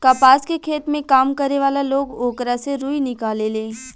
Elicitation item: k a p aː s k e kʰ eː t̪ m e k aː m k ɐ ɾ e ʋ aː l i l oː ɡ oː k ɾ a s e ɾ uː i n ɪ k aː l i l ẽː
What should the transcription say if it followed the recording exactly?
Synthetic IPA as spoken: k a p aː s k e kʰ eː t̪ m ẽ k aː m k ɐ ɾ e ʋ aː l a l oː ɡ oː k ɾ a s e ɾ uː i n ɪ k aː l e l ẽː